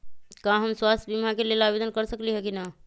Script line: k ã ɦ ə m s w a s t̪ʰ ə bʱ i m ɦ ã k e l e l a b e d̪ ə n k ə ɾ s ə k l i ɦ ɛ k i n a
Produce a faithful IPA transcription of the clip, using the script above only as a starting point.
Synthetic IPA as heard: k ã ɦ ə m s w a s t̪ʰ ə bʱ i m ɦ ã k e l e l a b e d̪ ə n k ə ɾ s ə k l i ɦ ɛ k i n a